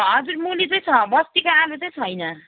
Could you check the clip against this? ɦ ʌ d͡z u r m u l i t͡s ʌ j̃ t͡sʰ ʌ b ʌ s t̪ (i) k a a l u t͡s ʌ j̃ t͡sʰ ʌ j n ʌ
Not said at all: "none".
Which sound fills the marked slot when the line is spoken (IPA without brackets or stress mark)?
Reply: i